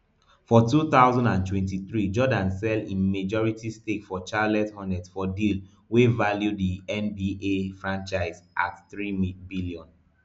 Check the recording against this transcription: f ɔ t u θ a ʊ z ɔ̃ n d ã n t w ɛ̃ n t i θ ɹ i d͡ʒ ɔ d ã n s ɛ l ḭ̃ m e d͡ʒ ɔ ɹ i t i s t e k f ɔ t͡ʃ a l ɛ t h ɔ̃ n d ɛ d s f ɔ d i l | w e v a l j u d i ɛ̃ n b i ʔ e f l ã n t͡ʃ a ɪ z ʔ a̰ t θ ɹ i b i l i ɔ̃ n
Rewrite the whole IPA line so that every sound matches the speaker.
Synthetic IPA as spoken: f ɔ t u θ a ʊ z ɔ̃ n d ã n t w ɛ̃ n t i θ ɹ i d͡ʒ ɔ d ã n s ɛ l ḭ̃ m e d͡ʒ ɔ ɹ i t i s t e k f ɔ t͡ʃ a l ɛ t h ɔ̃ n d ɛ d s f ɔ d i l | w e v a l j u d i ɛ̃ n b i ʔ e f ɹ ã n t͡ʃ a ɪ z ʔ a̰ t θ ɹ i b i l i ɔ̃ n